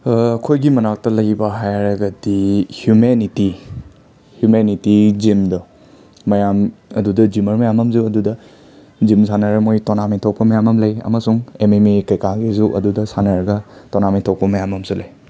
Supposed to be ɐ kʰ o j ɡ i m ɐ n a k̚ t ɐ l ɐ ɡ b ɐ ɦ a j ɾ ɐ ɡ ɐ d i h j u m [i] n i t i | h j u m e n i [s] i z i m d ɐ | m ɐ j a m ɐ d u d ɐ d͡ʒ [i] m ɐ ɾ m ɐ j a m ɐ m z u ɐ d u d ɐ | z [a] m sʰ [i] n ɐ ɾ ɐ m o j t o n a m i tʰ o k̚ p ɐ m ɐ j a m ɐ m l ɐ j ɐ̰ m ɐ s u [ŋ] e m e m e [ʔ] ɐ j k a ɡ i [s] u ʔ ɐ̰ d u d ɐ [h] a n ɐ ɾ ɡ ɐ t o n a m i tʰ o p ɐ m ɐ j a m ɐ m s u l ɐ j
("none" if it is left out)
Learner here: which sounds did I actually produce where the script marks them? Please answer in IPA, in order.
e, t, i, i, a, ŋ, k, z, s

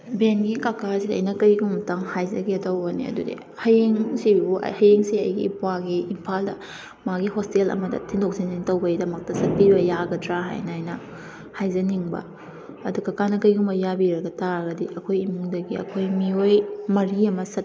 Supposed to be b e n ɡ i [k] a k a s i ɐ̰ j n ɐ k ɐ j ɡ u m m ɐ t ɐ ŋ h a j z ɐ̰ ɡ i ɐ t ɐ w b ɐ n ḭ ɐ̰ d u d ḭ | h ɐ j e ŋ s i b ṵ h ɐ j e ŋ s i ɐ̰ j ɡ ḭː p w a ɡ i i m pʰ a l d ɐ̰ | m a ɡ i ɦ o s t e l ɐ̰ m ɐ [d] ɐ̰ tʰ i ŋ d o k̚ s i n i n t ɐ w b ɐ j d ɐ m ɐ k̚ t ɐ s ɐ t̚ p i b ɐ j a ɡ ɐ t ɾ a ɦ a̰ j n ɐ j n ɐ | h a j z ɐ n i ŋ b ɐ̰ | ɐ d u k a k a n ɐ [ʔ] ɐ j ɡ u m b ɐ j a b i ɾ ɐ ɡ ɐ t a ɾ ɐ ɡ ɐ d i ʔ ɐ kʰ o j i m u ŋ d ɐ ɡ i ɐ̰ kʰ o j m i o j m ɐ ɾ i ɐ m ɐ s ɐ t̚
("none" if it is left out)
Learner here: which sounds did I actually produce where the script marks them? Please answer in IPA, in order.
k, d, k

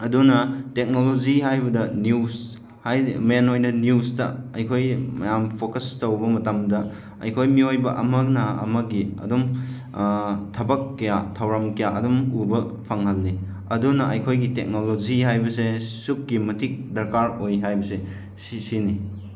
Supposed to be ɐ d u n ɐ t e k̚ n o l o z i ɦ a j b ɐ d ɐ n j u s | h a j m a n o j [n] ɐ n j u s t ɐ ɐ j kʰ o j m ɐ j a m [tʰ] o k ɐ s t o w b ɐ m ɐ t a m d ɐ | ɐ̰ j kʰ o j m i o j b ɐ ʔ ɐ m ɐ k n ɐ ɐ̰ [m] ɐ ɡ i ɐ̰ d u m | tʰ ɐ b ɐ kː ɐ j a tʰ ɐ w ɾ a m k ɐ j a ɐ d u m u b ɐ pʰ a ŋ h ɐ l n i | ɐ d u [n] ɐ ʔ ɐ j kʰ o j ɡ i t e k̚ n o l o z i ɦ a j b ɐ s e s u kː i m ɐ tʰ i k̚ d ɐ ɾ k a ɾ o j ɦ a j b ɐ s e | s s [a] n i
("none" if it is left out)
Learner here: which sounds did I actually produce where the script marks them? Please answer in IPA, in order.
n, pʰ, m, n, i

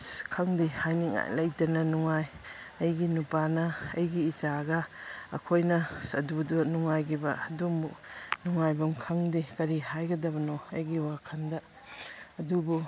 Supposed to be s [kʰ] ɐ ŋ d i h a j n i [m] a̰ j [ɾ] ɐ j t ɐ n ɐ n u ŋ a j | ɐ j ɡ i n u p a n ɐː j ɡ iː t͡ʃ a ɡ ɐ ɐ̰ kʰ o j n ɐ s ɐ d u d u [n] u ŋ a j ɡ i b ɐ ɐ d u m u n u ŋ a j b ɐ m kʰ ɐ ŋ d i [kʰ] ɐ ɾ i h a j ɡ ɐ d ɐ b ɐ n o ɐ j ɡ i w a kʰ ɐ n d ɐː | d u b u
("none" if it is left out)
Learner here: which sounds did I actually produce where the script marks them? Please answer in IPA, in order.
kʰ, ŋ, l, n, k

